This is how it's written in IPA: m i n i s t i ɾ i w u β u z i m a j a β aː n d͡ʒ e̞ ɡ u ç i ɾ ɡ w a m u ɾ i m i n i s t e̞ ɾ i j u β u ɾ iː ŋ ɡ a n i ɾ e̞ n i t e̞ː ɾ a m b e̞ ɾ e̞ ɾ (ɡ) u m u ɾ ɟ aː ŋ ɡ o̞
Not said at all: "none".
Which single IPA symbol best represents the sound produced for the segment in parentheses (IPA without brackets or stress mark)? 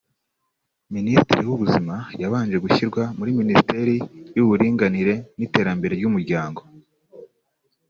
ɟ